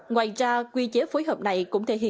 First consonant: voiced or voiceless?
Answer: voiced